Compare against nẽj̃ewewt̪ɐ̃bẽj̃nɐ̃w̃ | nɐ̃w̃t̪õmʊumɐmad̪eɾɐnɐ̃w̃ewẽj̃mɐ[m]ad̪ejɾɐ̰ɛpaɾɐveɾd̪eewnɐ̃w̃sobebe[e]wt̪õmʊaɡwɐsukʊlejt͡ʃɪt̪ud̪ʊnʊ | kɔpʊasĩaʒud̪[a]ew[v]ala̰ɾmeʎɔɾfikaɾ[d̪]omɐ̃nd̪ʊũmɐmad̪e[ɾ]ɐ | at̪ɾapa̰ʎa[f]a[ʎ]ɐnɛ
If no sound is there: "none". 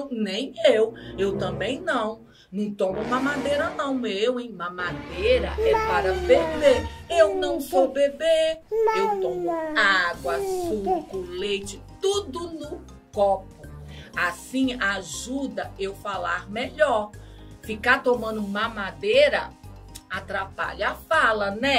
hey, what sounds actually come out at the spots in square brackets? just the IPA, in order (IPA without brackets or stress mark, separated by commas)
m, e, ɐ, f, t̪, ɾ, f, l